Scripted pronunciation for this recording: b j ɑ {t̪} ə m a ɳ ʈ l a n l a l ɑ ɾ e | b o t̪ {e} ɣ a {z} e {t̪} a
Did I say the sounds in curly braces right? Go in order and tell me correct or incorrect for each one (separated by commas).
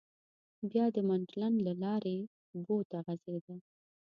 incorrect, incorrect, correct, incorrect